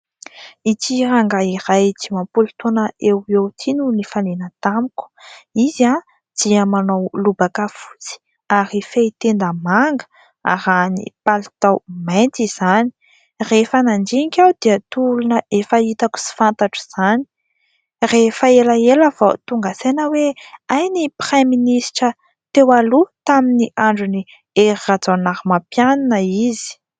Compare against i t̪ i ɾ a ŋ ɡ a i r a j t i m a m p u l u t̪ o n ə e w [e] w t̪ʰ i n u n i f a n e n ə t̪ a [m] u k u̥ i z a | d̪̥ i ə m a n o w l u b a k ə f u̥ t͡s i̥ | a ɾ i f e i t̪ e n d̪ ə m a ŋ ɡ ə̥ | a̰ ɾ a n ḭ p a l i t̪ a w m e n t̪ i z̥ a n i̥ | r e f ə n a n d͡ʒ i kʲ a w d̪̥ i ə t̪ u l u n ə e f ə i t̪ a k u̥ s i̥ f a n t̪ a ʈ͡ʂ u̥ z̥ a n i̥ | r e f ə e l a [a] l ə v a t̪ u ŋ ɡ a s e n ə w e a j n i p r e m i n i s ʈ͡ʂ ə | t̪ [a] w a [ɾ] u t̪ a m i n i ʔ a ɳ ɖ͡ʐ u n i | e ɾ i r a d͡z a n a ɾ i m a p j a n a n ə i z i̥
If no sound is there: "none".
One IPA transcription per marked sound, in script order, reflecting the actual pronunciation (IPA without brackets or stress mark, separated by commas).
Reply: e, m, e, e, l